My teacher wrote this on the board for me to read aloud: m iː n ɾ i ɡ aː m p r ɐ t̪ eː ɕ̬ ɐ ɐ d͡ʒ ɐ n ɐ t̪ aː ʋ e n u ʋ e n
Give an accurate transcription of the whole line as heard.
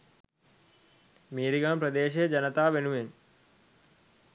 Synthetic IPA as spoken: m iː ɾ i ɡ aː m p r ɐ d̪ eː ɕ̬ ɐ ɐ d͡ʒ ɐ n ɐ t̪ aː ʋ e n u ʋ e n